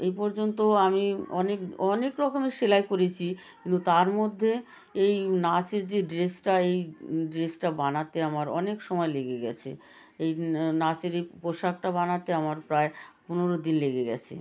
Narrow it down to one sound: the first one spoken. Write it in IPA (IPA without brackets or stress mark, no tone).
e